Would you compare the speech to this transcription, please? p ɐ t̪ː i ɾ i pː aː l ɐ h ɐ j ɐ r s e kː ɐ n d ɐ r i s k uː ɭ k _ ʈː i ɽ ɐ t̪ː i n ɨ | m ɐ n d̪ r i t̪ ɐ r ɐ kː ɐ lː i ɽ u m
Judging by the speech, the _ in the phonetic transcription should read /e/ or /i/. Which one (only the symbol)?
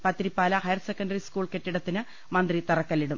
e